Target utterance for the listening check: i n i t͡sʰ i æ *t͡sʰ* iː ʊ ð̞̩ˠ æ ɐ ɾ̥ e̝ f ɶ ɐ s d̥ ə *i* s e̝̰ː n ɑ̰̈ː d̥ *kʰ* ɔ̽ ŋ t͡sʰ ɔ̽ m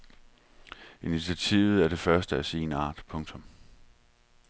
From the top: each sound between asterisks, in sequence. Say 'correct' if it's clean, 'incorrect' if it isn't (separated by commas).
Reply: correct, incorrect, incorrect